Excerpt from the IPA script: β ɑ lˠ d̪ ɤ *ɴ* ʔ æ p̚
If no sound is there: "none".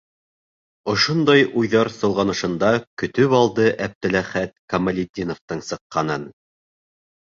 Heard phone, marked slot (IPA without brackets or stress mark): none